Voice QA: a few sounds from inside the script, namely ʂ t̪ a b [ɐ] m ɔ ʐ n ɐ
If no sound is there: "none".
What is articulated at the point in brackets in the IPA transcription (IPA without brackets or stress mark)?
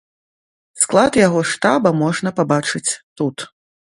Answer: ɐ